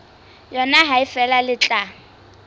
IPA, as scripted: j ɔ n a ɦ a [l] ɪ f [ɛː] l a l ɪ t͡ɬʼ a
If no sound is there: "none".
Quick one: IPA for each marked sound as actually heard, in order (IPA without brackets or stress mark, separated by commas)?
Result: none, ɛ